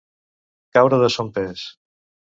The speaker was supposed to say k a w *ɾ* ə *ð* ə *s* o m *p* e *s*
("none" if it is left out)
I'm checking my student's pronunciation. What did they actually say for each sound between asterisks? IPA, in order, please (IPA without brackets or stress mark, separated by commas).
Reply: ɾ, ð, s, p, s